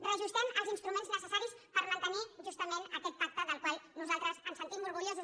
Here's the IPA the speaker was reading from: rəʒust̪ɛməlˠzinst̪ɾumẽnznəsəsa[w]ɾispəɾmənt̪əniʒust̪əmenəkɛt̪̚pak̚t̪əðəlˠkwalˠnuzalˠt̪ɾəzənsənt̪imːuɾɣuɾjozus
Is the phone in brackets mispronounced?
yes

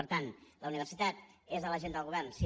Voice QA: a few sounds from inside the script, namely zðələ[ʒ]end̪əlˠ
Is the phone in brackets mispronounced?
no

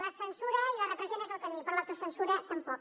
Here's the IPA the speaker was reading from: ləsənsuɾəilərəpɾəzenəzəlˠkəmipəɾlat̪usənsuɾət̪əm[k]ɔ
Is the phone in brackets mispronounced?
yes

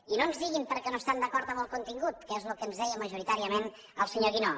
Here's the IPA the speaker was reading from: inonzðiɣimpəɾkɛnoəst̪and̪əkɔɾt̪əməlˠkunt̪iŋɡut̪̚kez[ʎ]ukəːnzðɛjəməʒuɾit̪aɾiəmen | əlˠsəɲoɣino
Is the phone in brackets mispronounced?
yes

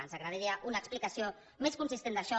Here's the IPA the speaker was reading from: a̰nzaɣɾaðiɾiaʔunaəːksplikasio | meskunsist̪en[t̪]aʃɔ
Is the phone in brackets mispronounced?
yes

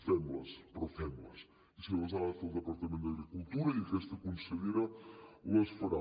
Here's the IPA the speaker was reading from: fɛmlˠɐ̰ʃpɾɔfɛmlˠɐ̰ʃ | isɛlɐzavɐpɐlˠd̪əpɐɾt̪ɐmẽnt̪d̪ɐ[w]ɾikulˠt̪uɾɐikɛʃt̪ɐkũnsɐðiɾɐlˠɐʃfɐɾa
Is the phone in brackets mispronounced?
yes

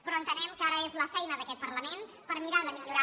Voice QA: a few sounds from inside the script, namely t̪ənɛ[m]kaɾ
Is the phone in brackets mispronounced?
no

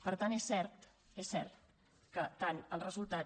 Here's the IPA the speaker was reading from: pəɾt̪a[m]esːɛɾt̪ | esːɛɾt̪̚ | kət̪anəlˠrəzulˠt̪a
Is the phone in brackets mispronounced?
yes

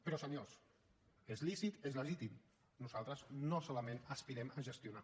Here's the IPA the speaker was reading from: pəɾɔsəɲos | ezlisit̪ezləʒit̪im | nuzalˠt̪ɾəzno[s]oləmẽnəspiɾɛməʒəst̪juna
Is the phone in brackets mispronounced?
no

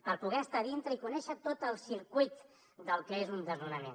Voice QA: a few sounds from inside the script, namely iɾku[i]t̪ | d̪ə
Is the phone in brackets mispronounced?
yes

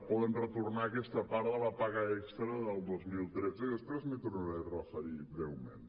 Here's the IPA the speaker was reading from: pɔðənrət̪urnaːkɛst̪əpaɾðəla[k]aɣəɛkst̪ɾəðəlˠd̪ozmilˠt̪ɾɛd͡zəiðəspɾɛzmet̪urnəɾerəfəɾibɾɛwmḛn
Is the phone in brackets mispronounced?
yes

